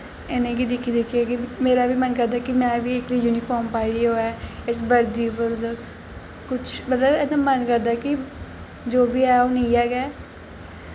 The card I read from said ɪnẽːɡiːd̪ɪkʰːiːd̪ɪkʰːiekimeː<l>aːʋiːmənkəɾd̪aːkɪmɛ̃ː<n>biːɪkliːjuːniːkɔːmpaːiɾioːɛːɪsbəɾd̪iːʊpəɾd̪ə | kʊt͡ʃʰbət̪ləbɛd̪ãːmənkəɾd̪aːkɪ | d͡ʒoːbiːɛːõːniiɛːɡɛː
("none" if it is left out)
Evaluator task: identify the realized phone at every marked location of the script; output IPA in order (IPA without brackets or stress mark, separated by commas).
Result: ɾ, none